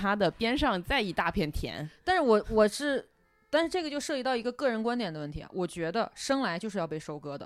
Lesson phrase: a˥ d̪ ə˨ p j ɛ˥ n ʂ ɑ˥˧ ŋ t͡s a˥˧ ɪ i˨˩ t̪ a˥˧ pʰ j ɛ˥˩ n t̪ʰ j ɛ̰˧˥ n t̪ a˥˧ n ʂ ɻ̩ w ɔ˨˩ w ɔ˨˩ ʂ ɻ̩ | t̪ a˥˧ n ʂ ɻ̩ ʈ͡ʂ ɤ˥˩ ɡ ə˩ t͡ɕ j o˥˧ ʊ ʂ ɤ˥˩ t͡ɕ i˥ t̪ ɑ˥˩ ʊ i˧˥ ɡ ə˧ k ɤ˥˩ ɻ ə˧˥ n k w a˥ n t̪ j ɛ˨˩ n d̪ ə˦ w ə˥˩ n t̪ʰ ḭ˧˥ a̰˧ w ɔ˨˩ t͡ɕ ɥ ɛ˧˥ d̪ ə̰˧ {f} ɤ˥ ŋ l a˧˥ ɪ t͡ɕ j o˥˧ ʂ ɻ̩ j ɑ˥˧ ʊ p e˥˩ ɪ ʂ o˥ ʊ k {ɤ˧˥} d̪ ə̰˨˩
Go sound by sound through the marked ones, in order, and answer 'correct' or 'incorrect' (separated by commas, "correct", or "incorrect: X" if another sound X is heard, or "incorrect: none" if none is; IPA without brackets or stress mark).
incorrect: ʂ, incorrect: ɤ˥